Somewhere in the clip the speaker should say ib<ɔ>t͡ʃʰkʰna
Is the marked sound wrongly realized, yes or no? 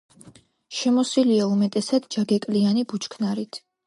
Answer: yes